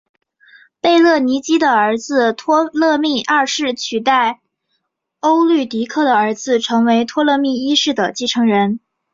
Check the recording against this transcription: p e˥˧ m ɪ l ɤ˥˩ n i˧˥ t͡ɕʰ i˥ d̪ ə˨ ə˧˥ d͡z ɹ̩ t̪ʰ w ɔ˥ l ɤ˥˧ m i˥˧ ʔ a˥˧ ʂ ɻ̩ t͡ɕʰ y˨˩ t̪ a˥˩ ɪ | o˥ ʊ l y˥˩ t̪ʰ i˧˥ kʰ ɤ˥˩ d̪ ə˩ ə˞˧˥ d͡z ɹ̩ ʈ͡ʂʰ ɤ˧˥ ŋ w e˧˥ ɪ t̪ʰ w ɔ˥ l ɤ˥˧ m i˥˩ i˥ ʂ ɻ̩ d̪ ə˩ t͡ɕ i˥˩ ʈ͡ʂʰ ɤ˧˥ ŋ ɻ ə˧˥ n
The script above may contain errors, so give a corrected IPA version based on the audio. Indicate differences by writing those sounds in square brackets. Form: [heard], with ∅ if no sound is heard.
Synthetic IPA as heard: p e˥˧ [∅] ɪ l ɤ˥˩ n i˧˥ [t͡ɕ] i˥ d̪ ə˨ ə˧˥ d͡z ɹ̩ t̪ʰ w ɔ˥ l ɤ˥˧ m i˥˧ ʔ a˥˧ ʂ ɻ̩ t͡ɕʰ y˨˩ t̪ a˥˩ ɪ | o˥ ʊ l y˥˩ [t̪] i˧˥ kʰ ɤ˥˩ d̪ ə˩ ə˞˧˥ d͡z ɹ̩ ʈ͡ʂʰ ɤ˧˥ ŋ w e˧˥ ɪ t̪ʰ w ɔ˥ l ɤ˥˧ m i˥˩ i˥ ʂ ɻ̩ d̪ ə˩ t͡ɕ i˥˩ ʈ͡ʂʰ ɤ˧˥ ŋ ɻ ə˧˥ n